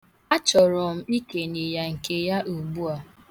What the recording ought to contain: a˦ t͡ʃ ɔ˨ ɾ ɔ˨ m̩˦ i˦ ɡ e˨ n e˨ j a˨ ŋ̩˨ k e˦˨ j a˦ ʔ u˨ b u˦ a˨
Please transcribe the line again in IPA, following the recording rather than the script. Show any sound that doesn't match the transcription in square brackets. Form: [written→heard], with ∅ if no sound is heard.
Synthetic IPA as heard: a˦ t͡ʃ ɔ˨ ɾ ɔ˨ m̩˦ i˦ [ɡ→k] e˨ n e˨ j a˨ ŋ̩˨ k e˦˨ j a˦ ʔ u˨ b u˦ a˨